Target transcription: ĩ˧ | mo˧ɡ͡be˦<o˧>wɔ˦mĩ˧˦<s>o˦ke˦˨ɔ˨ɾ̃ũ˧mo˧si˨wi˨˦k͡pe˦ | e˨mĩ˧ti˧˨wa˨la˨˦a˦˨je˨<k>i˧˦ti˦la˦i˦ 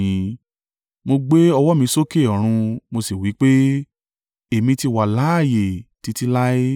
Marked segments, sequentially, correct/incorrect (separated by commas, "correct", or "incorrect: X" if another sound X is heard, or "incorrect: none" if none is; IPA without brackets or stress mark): incorrect: ɔ˧, correct, incorrect: t